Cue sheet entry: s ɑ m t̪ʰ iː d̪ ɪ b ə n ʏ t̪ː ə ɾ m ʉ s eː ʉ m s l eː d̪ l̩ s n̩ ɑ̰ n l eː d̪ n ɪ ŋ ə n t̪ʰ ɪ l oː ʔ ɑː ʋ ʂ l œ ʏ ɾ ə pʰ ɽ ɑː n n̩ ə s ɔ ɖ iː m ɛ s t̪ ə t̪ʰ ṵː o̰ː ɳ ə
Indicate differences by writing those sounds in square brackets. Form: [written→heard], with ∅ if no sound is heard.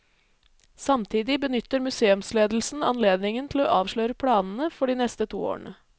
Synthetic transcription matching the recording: s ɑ m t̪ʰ iː d̪ ɪ b ə n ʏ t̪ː ə ɾ m ʉ s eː ʉ m s l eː d̪ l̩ s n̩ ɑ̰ n l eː d̪ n ɪ ŋ ə n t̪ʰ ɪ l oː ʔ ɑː ʋ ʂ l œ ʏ ɾ ə pʰ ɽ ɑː n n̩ ə [s→f] ɔ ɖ iː [m→n] ɛ s t̪ ə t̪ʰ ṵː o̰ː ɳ ə

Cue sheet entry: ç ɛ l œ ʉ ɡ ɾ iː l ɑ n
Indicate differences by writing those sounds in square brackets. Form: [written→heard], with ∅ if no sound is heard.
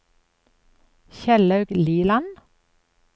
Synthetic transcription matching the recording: ç ɛ l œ ʉ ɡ [ɾ→l] iː l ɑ n

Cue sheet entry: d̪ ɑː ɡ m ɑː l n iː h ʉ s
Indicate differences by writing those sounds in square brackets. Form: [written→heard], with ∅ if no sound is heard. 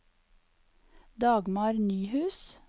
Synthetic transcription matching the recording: d̪ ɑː ɡ m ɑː [l→ɾ] n [iː→yː] h [ʉ→ʉː] s

